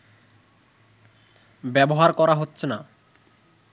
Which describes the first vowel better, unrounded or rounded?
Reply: unrounded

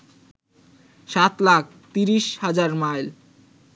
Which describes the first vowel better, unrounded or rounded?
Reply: unrounded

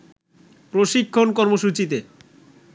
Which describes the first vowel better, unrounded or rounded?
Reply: rounded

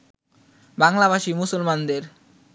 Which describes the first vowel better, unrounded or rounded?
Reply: unrounded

